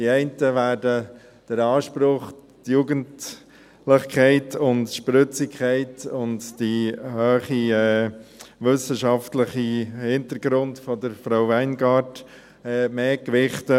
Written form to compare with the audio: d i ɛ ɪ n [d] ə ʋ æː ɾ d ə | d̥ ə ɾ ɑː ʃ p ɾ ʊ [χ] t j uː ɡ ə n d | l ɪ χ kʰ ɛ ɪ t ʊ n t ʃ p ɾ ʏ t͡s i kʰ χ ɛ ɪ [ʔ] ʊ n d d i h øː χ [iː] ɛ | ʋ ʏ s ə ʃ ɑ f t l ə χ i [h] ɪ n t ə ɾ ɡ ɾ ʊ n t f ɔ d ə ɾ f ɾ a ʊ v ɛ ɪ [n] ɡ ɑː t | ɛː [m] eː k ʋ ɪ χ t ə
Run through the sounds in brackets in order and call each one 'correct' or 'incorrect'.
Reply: incorrect: t, correct, incorrect: t, incorrect: i, correct, correct, correct

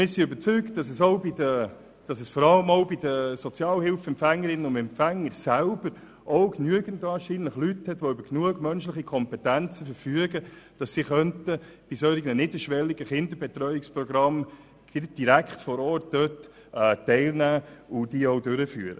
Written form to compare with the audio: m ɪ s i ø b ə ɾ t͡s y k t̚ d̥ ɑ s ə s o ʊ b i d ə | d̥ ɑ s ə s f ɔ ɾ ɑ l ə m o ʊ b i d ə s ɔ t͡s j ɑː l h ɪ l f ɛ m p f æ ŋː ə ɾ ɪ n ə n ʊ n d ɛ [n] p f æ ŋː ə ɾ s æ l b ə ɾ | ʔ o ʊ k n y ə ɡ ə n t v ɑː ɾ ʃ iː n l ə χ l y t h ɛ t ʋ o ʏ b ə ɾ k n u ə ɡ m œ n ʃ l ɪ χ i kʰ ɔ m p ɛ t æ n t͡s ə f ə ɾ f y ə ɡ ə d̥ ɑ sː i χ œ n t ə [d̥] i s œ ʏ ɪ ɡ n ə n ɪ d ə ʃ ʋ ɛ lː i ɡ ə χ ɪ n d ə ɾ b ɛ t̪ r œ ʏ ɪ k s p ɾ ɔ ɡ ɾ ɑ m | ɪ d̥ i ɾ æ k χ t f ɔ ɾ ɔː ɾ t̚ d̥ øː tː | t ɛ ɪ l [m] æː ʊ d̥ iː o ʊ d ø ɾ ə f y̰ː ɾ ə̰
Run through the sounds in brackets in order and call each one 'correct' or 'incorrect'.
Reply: incorrect: m, incorrect: b̥, incorrect: n

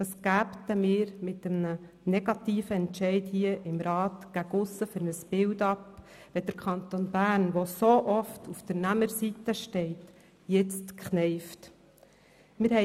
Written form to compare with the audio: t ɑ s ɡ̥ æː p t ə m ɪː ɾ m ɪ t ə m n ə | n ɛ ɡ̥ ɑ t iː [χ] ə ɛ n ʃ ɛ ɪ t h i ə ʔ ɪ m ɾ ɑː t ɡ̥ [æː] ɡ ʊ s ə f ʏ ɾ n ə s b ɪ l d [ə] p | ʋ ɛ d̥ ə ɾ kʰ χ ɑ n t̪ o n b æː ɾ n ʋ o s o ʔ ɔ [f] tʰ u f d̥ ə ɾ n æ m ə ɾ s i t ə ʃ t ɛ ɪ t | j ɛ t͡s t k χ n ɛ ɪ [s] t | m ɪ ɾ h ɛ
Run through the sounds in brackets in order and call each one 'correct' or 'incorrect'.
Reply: incorrect: f, incorrect: æ, incorrect: ɑ, correct, incorrect: f

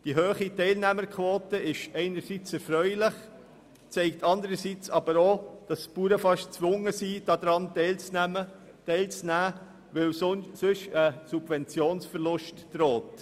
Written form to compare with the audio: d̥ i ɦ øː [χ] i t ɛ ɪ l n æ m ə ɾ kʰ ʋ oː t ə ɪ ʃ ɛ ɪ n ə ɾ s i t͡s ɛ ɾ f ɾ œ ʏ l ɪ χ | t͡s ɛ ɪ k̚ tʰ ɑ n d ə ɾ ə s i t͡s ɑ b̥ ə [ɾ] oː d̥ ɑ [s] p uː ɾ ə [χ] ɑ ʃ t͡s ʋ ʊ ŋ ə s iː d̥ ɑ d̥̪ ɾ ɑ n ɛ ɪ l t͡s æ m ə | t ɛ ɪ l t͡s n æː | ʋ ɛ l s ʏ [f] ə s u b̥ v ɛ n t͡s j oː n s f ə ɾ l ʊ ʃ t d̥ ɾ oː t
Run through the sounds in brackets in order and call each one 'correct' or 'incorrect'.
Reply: correct, correct, correct, incorrect: f, incorrect: ʃ

